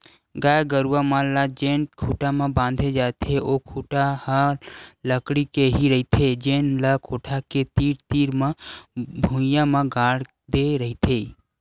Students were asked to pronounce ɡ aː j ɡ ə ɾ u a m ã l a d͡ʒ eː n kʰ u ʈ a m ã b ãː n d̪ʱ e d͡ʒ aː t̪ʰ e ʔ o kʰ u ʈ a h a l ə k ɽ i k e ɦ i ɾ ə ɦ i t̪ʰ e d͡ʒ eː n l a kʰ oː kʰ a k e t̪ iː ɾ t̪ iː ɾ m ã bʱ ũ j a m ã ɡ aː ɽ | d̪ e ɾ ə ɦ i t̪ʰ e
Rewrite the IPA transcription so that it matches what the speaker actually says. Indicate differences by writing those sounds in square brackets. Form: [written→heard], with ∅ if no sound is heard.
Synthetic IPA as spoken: ɡ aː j ɡ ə ɾ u a m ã l a d͡ʒ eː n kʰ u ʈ a m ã b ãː n d̪ʱ e d͡ʒ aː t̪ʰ e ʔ o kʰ u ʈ a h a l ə k ɽ i k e ɦ i ɾ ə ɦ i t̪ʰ e d͡ʒ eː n l a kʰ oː [kʰ→ʈʰ] a k e t̪ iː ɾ t̪ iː ɾ m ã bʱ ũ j a m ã ɡ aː ɽ | d̪ e ɾ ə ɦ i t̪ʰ e